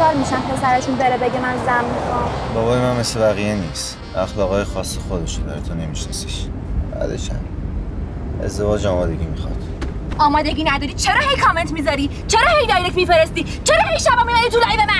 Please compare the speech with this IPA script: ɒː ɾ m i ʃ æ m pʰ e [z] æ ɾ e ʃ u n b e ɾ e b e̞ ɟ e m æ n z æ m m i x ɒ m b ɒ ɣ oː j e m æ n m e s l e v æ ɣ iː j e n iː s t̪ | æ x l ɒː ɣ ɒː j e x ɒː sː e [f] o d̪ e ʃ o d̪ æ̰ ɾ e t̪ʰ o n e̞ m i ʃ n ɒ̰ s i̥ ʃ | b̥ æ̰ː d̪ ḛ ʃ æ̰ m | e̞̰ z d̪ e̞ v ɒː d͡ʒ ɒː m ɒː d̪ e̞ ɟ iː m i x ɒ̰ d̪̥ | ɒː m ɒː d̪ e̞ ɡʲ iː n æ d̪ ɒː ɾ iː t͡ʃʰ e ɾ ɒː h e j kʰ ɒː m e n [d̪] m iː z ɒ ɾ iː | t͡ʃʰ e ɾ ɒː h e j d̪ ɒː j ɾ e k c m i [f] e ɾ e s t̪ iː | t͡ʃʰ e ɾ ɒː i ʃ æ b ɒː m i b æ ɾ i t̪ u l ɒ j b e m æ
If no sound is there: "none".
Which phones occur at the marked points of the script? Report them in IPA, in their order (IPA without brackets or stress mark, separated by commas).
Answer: s, x, t̪, f